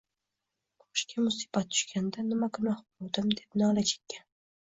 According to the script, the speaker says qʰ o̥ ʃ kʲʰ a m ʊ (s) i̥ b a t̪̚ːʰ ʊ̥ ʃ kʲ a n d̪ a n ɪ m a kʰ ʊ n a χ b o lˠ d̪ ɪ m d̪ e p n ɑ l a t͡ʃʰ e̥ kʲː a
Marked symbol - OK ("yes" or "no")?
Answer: yes